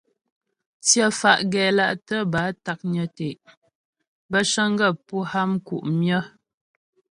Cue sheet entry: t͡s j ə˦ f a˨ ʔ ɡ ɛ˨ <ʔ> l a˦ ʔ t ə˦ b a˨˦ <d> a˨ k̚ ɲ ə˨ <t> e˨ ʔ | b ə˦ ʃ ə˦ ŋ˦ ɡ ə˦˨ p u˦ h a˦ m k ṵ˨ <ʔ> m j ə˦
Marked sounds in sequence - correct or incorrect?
incorrect, incorrect, correct, correct

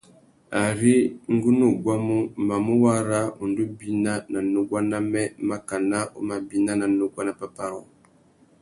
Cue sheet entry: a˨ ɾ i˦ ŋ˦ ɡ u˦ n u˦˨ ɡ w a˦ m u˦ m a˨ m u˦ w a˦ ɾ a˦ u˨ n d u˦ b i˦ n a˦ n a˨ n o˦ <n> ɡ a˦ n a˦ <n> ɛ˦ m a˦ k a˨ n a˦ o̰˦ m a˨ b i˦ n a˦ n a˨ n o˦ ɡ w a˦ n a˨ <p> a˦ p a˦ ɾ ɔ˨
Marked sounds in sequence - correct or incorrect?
incorrect, incorrect, correct

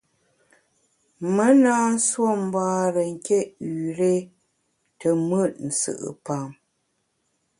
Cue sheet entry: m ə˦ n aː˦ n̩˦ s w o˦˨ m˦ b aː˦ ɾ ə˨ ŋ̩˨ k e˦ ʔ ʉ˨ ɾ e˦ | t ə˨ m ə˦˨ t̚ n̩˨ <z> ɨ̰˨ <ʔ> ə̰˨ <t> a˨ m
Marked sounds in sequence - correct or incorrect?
incorrect, correct, incorrect

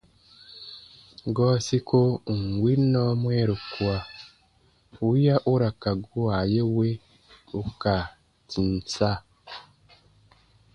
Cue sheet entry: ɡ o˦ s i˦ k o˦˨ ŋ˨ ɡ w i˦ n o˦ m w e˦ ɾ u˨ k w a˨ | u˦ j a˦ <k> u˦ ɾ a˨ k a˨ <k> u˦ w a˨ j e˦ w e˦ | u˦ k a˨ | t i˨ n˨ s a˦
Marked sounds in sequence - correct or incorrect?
incorrect, incorrect

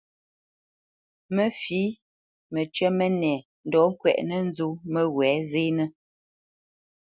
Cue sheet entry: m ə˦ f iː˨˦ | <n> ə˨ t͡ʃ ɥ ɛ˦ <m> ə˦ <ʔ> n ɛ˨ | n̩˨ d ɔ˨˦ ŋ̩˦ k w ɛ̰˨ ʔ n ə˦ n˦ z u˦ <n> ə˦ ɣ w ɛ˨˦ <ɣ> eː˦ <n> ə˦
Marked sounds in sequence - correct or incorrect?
incorrect, correct, incorrect, incorrect, incorrect, correct

